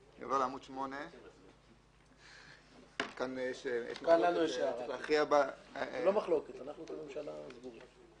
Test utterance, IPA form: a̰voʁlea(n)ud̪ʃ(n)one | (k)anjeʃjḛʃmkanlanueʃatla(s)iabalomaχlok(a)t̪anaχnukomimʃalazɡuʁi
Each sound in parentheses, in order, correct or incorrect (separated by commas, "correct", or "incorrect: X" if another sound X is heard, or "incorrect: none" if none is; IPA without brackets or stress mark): incorrect: m, incorrect: m, correct, incorrect: χ, incorrect: e